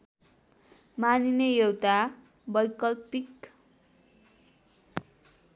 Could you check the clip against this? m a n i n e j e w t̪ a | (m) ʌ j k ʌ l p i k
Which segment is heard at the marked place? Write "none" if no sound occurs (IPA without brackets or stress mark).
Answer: b